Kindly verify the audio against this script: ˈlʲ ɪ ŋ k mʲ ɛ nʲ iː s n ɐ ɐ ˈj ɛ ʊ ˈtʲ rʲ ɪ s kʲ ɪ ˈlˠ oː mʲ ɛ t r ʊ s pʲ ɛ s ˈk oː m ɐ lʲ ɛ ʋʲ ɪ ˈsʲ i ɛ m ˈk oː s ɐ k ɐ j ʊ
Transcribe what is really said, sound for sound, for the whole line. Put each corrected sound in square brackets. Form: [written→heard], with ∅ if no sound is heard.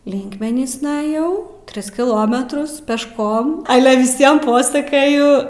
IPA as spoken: ˈlʲ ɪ ŋ k mʲ ɛ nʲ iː s n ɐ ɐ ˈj ɛ ʊ ˈtʲ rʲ ɪ s kʲ ɪ ˈlˠ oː mʲ ɛ t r ʊ s pʲ ɛ [s→ʃ] ˈk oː m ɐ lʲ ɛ ʋʲ ɪ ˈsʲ i ɛ m [ˈk→ˈp] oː s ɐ k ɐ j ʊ